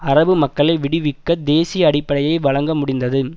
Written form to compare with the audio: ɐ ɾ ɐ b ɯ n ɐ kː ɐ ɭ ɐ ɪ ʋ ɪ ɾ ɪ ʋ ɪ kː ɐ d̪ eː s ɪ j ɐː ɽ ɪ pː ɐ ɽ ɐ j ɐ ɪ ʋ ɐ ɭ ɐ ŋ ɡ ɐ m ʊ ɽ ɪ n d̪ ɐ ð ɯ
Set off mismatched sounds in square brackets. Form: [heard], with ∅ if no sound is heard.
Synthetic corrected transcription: ɐ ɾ ɐ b ɯ [m] ɐ kː ɐ ɭ ɐ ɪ ʋ ɪ [ɽ] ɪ ʋ ɪ kː ɐ d̪ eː s ɪ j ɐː ɽ ɪ pː ɐ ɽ ɐ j ɐ ɪ ʋ ɐ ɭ ɐ ŋ ɡ ɐ m ʊ ɽ ɪ n d̪ ɐ ð ɯ